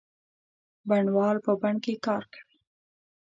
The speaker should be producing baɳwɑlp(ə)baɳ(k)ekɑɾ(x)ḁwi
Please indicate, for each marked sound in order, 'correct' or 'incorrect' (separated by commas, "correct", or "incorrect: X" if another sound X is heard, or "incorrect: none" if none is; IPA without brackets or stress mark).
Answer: correct, correct, incorrect: k